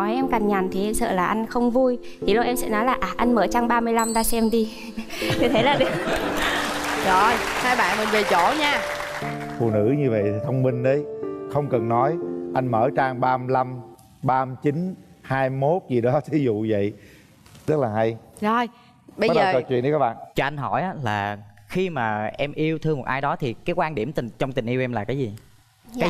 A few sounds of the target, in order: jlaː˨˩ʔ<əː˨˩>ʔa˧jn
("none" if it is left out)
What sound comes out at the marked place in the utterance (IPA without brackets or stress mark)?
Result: aː˨˩